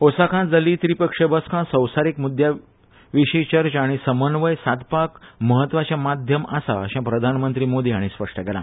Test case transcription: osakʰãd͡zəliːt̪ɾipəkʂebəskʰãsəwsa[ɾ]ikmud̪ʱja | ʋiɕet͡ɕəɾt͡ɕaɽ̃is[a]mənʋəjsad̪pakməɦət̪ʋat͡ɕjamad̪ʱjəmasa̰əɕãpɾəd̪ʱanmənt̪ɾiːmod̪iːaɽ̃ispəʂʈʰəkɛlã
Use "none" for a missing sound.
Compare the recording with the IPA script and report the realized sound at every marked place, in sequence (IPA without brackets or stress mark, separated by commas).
ɾ, ə